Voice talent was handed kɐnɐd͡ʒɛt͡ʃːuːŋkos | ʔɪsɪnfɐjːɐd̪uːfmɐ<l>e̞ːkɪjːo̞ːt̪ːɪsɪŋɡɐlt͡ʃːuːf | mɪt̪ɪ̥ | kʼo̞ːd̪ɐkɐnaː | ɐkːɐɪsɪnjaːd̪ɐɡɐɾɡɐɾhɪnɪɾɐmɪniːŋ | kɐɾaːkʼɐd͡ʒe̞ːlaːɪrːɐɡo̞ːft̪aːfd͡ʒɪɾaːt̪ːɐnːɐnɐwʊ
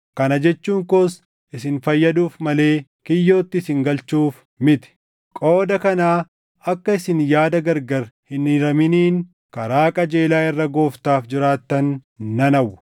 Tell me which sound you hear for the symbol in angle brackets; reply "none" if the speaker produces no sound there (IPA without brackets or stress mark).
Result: l